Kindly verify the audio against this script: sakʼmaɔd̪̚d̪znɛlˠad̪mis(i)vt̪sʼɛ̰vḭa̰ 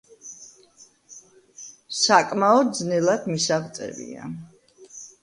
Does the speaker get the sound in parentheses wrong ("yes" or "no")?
yes